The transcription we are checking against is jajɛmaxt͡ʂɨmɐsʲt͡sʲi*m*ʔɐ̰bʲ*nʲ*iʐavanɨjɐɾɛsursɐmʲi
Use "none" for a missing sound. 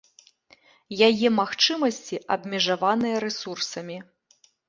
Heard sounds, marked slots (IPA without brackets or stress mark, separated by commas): none, mʲ